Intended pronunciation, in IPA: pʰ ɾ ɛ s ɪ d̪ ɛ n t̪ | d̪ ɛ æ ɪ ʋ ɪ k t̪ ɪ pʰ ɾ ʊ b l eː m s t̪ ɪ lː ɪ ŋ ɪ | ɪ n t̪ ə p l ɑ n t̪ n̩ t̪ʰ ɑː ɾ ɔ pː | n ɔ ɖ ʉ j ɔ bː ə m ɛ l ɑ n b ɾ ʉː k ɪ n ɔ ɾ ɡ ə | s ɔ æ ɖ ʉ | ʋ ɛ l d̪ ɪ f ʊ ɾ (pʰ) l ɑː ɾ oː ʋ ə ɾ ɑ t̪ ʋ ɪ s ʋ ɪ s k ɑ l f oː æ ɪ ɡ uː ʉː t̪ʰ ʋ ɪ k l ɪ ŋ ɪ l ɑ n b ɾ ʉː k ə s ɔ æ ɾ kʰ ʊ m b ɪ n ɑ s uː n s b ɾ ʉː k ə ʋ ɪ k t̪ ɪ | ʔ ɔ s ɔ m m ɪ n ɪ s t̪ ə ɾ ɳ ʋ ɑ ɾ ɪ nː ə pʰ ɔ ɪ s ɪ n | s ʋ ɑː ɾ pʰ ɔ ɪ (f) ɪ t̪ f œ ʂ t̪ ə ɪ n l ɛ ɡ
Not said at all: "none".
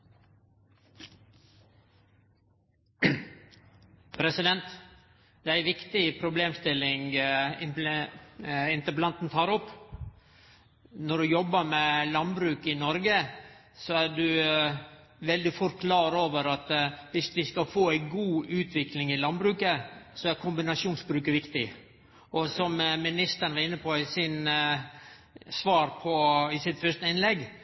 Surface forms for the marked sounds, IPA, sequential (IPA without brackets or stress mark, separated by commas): kʰ, s